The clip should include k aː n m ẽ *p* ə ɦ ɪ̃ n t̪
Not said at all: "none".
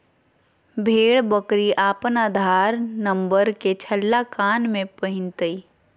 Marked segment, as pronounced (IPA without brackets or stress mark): p